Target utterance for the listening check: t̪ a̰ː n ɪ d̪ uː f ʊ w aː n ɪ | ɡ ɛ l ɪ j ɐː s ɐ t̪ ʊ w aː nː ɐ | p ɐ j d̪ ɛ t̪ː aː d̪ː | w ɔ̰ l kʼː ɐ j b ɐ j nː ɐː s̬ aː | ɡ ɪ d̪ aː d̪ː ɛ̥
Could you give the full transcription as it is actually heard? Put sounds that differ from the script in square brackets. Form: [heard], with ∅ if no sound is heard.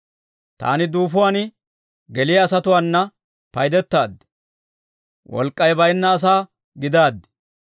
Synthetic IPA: t̪ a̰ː n ɪ d̪ uː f ʊ w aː n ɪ | ɡ ɛ l ɪ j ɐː s ɐ t̪ ʊ w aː nː ɐ | p ɐ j d̪ ɛ t̪ː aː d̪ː | w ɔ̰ l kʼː ɐ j b ɐ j nː ɐː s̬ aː | ɡ ɪ d̪ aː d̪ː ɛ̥